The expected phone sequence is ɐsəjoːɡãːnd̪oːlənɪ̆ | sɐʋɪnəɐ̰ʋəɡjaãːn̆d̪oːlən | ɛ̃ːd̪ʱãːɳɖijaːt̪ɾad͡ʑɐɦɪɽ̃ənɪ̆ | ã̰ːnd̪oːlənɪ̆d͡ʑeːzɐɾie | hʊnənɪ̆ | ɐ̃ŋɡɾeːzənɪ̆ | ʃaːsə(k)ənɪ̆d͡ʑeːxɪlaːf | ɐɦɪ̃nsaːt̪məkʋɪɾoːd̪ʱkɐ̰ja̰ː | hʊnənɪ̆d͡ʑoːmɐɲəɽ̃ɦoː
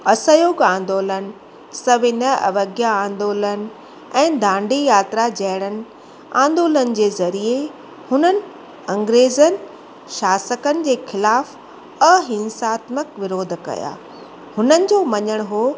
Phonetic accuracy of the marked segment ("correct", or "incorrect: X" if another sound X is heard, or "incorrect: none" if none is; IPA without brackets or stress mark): correct